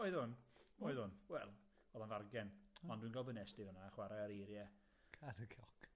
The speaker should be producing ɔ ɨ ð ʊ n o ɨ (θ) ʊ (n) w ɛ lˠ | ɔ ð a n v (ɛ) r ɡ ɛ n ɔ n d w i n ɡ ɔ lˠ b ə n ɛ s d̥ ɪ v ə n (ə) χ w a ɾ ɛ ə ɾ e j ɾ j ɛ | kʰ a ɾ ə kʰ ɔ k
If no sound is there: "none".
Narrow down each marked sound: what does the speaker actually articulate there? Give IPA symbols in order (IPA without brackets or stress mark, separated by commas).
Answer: ð, n, a, a